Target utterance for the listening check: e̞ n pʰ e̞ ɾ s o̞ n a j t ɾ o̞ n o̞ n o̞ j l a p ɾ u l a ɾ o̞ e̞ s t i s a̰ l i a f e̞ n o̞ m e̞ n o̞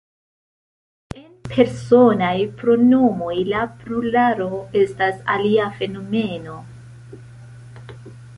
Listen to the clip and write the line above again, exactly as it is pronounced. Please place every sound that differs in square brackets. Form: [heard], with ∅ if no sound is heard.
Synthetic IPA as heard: e̞ n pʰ e̞ ɾ s o̞ n a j [p] ɾ o̞ n o̞ [m] o̞ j l a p ɾ u l a ɾ o̞ e̞ s t [a] s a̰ l i a f e̞ n o̞ m e̞ n o̞